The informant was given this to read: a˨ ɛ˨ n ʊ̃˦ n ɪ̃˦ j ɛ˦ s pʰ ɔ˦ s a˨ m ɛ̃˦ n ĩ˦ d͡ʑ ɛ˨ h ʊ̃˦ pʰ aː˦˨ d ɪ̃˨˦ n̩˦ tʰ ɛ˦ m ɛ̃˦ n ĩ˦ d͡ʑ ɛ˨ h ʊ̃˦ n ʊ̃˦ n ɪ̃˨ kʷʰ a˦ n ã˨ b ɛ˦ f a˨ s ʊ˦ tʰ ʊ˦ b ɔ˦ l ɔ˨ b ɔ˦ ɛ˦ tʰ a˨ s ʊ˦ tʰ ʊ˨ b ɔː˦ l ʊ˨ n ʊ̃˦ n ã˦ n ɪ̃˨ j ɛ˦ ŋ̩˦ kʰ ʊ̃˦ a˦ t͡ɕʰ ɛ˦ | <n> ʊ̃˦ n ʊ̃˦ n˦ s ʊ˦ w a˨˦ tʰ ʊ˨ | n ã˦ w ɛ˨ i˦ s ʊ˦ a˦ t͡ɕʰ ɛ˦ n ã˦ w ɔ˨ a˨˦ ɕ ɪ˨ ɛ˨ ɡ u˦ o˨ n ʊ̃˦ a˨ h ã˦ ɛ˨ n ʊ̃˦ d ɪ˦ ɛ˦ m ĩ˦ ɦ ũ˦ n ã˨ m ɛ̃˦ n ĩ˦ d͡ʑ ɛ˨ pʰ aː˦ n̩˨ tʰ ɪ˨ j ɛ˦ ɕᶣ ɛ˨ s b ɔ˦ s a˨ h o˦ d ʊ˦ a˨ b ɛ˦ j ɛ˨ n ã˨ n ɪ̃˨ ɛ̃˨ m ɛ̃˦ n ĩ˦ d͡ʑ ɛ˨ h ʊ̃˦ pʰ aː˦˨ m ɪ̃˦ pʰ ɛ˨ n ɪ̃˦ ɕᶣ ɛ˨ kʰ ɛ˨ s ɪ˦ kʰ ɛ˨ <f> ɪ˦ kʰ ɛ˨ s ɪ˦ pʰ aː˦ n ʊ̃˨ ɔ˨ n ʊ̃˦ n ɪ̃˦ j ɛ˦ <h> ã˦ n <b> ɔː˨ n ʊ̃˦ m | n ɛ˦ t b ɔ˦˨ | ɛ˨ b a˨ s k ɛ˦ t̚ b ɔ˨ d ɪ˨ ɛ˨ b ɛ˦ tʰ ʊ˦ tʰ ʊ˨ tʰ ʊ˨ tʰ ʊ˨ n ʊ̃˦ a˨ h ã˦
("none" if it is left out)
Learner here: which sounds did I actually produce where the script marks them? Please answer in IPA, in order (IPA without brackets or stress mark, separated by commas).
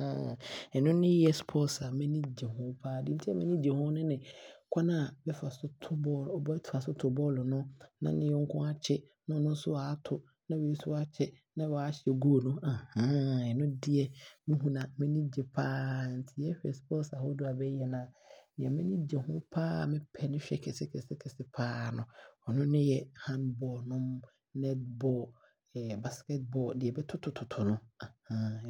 n, s, h, b